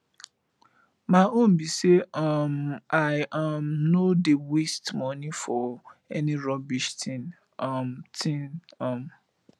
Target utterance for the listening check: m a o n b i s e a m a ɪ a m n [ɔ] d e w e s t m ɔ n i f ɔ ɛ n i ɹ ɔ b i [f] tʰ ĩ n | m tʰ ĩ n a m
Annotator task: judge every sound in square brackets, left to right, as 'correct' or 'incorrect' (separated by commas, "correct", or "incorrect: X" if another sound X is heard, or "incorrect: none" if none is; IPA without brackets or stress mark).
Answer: incorrect: o, incorrect: ʃ